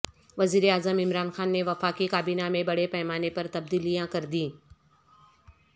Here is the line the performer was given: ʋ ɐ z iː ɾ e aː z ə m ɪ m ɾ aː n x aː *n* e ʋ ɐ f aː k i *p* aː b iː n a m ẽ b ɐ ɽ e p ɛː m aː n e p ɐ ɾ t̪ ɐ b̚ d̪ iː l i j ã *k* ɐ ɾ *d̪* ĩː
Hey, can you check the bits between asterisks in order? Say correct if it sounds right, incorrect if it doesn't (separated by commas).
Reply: incorrect, incorrect, correct, correct